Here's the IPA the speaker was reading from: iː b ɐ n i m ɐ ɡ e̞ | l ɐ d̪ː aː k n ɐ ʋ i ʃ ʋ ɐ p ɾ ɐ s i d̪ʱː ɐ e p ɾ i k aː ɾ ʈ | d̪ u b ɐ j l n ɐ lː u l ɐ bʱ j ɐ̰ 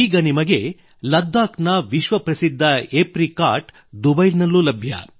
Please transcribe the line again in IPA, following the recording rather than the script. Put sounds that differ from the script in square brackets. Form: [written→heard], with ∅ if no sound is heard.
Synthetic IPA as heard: iː [b→ɡ] ɐ n i m ɐ ɡ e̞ | l ɐ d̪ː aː k n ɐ ʋ i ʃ ʋ ɐ p ɾ ɐ s i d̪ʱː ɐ e p ɾ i k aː ɾ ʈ | d̪ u b ɐ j l n ɐ lː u l ɐ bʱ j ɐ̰